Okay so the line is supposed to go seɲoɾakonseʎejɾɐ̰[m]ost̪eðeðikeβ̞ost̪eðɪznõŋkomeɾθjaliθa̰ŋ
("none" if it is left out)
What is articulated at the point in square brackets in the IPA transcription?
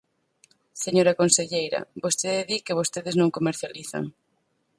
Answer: b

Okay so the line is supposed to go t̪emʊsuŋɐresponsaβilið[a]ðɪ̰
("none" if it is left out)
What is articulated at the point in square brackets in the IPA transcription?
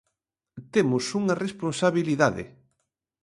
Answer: a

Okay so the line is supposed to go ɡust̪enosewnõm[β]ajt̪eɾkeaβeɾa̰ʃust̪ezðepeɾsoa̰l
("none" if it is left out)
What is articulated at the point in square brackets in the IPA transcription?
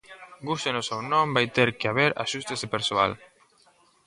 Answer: b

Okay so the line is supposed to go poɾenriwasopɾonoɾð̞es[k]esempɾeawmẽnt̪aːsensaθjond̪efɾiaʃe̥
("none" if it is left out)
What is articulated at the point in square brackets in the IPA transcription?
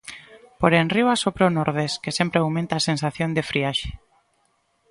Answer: k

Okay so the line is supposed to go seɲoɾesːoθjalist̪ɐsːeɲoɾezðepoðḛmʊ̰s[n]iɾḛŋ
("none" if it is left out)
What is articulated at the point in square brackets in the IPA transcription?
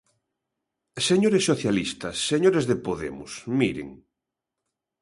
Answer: m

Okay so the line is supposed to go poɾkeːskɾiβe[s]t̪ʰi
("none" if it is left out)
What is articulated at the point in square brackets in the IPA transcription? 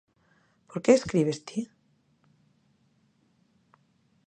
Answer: s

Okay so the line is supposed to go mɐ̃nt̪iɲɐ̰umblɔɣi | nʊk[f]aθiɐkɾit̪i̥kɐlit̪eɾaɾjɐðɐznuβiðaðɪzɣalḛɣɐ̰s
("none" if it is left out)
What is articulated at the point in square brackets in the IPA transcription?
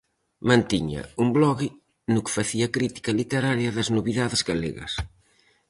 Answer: f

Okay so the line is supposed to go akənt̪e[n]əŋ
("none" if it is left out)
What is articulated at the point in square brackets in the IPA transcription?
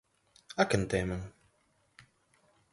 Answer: m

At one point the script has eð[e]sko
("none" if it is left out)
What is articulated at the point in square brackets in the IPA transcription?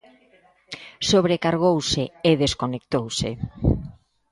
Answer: e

